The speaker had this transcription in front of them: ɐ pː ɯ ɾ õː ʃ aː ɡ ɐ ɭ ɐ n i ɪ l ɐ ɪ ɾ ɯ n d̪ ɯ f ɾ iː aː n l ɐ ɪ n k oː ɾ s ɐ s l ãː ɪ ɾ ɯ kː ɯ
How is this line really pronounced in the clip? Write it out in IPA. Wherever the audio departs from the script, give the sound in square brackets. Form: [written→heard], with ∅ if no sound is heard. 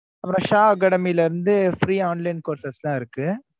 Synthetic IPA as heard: ɐ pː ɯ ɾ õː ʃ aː ɡ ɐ [ɭ→ɽ] ɐ [n→m] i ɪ l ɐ ɪ ɾ ɯ n d̪ ɯ f ɾ iː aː n l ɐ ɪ n k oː ɾ s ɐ s l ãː ɪ ɾ ɯ kː ɯ

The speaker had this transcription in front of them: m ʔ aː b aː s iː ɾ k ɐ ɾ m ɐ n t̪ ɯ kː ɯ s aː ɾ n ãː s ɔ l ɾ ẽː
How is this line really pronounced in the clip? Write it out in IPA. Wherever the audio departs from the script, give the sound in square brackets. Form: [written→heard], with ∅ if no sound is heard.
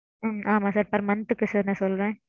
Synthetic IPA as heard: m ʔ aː [b→m] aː s [iː→aː] ɾ [k→p] ɐ ɾ m ɐ n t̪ ɯ kː ɯ s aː ɾ n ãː s ɔ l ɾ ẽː

